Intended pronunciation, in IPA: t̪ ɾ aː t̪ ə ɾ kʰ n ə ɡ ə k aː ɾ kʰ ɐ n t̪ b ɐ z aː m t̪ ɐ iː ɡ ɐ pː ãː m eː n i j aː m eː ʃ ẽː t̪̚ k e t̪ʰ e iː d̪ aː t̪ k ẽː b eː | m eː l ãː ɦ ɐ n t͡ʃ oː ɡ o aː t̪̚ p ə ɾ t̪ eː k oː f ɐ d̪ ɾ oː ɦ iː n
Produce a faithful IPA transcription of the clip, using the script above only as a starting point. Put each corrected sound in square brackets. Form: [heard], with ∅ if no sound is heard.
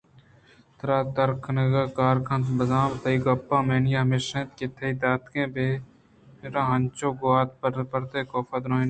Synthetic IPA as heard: t̪ ɾ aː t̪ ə ɾ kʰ n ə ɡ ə k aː ɾ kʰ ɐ n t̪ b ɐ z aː m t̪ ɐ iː ɡ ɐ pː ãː m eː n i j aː m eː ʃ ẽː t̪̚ k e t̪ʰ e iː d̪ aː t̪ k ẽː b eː | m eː [ɾ] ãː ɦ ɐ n t͡ʃ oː ɡ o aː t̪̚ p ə ɾ t̪ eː k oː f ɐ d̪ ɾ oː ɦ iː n